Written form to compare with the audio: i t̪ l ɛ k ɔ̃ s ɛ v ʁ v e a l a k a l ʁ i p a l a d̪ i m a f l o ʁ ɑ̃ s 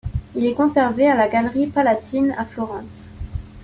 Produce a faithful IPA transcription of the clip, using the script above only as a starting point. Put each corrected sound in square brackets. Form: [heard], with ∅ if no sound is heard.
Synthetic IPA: i [∅] l ɛ k ɔ̃ s ɛ [∅] ʁ v e a l a [ɡ] a l ʁ i p a l a [t̪] i [n] a f l [ɔ] ʁ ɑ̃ s